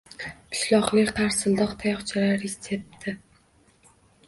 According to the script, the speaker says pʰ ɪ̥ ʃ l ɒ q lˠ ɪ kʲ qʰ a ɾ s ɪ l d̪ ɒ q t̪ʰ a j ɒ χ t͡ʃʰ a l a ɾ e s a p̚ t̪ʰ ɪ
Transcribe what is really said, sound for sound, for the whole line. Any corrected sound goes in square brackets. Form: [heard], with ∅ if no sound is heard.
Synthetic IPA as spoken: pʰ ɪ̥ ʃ l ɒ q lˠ ɪ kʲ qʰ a ɾ s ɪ l d̪ ɒ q t̪ʰ a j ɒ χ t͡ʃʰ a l a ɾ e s [e] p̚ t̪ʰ ɪ